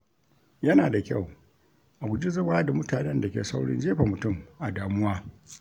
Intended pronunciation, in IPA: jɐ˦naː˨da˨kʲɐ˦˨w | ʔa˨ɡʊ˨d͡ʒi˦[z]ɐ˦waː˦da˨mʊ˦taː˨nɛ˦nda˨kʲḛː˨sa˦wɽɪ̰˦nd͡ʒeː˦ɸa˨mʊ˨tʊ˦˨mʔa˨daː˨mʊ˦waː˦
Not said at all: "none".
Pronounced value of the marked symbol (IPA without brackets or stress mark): z